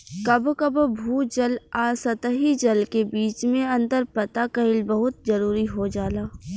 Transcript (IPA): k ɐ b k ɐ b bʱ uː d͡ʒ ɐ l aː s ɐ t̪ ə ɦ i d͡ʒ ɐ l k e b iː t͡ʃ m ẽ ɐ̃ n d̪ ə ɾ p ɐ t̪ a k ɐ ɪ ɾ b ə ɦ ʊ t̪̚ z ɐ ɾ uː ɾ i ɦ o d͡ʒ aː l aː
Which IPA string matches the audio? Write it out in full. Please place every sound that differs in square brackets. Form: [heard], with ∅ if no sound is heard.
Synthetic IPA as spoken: k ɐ b k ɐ b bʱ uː d͡ʒ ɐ l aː s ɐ t̪ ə ɦ i d͡ʒ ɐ l k e b iː t͡ʃ m ẽ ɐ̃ n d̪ ə ɾ p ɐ t̪ a k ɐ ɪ [l] b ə ɦ ʊ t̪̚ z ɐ ɾ uː ɾ i ɦ o d͡ʒ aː l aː